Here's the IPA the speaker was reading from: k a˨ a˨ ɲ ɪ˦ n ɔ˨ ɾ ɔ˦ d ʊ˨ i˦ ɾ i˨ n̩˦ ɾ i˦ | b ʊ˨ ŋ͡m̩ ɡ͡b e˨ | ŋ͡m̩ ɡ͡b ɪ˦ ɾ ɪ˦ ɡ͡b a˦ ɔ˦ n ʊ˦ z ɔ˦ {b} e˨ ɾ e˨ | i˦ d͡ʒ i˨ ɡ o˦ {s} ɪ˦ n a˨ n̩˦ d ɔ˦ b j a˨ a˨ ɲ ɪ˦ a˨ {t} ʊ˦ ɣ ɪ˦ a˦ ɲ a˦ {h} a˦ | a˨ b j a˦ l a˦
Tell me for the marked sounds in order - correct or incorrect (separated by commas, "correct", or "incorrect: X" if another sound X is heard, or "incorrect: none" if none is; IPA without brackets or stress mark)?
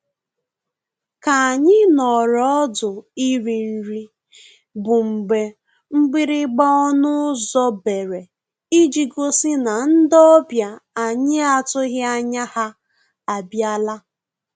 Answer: correct, correct, correct, correct